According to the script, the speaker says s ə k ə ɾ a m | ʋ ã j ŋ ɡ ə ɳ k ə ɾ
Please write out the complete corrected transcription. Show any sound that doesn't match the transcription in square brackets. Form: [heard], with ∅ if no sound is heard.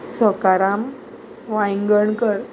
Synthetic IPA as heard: s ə k [a] ɾ a m | ʋ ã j ŋ ɡ ə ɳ k ə ɾ